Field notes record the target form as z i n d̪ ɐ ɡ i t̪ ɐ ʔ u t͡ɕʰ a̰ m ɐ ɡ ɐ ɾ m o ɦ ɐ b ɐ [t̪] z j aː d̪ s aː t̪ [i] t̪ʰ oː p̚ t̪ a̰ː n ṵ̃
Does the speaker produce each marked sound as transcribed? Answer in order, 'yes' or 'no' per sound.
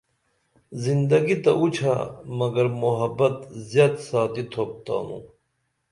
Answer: yes, yes

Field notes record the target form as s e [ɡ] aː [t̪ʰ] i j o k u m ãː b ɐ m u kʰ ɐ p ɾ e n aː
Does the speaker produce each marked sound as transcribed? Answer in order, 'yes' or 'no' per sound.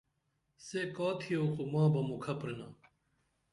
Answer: no, yes

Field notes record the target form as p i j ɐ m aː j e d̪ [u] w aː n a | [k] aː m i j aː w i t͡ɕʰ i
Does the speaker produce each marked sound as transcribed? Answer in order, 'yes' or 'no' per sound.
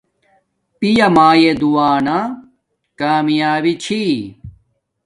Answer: yes, yes

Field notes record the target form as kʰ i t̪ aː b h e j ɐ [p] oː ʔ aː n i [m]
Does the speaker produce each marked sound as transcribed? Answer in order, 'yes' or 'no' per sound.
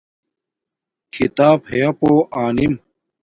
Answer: yes, yes

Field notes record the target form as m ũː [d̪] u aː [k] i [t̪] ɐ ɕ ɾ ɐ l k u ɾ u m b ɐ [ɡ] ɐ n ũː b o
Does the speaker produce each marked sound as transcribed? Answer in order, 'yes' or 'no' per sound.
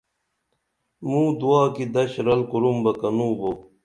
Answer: yes, yes, no, no

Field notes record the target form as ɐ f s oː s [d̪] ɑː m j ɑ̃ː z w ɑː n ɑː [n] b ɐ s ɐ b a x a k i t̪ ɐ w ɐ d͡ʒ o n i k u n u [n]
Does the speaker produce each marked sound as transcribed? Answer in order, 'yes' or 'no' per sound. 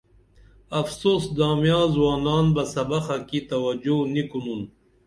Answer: yes, yes, yes

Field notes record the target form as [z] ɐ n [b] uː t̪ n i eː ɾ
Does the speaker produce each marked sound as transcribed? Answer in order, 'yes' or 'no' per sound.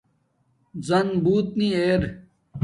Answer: yes, yes

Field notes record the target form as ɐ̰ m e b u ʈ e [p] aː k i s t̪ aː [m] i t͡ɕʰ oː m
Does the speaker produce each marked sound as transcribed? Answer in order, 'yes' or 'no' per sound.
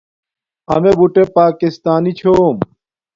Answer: yes, no

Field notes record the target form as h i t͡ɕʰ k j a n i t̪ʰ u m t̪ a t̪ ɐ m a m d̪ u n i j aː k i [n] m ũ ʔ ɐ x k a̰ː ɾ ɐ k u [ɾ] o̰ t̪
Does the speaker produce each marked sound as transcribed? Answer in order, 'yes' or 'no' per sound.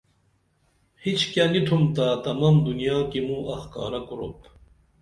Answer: no, yes

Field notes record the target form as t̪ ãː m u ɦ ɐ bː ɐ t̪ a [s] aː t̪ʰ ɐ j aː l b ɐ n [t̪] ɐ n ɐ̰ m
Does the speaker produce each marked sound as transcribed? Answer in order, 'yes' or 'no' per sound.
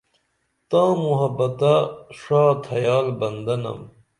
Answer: no, no

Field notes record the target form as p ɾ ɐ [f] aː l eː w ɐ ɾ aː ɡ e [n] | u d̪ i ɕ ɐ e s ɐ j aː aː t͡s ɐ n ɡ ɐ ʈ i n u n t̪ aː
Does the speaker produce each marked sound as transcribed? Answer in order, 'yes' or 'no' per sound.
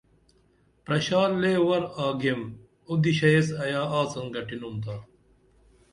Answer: no, no

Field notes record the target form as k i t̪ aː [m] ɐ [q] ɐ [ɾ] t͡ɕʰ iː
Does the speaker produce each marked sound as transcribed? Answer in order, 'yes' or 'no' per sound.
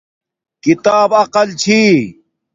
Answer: no, yes, no

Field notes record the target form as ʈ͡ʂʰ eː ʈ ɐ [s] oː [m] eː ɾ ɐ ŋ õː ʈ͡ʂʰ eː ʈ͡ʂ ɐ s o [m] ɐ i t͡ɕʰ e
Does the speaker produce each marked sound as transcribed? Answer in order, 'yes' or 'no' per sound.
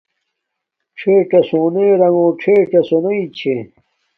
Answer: yes, no, no

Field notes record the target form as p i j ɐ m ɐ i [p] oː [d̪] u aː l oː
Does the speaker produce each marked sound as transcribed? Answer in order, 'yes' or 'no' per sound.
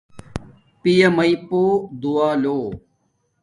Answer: yes, yes

